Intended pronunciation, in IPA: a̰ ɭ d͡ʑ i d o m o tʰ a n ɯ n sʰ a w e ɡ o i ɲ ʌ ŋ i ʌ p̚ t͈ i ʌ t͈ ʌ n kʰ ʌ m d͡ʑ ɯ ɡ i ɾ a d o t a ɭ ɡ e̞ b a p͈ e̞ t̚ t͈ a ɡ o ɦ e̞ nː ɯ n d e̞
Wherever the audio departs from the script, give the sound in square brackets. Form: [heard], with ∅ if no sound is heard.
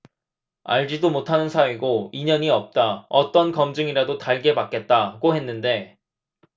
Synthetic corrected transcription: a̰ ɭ d͡ʑ i d o m o tʰ a n ɯ n sʰ a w e ɡ o i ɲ ʌ [ɲ] i ʌ p̚ t͈ [a] ʌ t͈ ʌ n [k] ʌ m d͡ʑ ɯ [ŋ] i ɾ a d o t a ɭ ɡ e̞ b a [k͈] e̞ t̚ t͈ a ɡ o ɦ e̞ nː ɯ n d e̞